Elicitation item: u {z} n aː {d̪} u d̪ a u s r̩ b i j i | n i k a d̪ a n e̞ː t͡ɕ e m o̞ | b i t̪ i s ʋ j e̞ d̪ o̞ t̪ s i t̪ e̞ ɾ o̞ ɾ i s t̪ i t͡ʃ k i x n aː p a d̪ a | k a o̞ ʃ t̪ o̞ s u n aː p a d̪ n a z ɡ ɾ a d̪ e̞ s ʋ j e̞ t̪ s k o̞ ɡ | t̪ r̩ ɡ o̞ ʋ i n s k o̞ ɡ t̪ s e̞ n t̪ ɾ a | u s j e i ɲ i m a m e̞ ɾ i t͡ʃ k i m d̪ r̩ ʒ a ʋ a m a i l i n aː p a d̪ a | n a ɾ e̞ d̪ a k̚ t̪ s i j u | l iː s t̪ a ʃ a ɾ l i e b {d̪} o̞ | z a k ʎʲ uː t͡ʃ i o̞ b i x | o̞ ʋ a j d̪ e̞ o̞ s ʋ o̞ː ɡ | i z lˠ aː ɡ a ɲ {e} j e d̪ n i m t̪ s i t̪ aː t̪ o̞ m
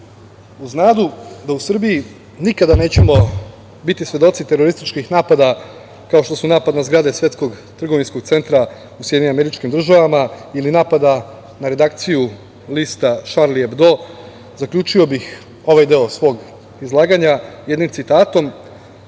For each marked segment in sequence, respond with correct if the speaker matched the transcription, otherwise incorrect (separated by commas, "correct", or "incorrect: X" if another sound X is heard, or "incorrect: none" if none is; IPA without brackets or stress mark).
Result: correct, correct, correct, incorrect: a